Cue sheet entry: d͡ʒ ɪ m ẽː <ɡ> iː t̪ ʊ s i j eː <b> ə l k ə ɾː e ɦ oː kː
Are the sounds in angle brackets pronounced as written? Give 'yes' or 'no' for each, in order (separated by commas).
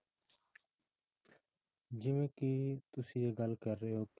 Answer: no, no